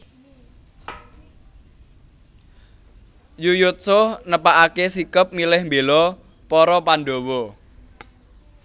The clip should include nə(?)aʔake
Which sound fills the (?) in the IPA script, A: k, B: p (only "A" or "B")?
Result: B